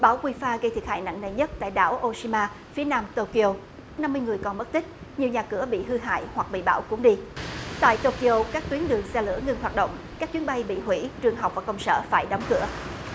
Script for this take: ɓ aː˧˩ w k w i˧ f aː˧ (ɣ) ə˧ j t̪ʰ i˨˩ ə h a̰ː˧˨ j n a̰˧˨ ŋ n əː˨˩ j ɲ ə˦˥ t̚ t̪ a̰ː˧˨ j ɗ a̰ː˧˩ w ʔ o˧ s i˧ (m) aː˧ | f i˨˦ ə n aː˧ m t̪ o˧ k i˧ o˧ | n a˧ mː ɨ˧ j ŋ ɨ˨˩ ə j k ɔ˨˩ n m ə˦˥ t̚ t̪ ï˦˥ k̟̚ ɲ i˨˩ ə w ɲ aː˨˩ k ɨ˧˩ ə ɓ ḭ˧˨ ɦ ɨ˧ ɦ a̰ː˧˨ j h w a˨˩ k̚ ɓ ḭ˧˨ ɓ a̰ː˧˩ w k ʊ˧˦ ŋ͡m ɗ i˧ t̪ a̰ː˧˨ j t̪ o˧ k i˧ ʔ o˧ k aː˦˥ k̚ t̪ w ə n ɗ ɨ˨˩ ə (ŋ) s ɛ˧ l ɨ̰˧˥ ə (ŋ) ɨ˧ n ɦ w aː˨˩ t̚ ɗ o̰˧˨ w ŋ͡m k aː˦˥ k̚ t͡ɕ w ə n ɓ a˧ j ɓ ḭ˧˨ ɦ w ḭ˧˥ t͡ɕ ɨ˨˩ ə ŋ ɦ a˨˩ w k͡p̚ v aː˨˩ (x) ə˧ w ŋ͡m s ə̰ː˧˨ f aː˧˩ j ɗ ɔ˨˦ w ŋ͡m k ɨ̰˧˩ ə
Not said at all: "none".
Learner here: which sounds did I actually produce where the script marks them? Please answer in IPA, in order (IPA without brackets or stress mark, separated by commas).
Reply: ɣ, m, ŋ, ŋ, k